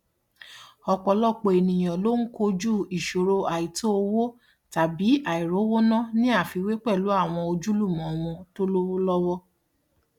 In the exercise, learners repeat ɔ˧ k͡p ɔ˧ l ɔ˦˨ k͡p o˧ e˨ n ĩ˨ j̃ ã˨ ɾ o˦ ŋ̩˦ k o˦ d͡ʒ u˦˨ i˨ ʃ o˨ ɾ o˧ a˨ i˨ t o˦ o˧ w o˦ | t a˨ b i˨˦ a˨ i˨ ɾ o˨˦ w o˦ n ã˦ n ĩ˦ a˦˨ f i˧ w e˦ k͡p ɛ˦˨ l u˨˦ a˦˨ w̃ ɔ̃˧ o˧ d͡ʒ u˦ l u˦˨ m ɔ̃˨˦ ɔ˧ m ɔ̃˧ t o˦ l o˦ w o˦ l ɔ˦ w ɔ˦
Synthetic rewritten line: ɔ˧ k͡p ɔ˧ l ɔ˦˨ k͡p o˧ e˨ n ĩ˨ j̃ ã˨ l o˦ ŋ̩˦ k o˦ d͡ʒ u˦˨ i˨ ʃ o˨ ɾ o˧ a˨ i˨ t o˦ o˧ w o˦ | t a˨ b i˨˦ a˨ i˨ ɾ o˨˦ w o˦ n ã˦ n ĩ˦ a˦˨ f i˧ w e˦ k͡p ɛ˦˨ l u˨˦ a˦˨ w̃ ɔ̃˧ o˧ d͡ʒ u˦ l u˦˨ m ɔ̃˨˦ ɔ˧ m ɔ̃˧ t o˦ l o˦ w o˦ l ɔ˦ w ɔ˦